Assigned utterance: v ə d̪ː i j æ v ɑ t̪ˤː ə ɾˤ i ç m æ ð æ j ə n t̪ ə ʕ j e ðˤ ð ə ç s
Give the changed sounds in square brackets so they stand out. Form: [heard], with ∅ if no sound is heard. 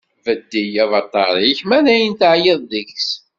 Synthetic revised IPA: v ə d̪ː i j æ v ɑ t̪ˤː [ɑ] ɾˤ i ç m æ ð æ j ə n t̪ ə ʕ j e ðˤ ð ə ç s